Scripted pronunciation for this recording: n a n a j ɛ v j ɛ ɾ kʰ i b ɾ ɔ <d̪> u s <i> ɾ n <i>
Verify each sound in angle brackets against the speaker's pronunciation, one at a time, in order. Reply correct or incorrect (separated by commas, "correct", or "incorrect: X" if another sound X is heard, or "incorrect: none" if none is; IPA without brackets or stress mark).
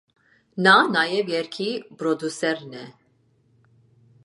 correct, incorrect: ɛ, incorrect: ɛ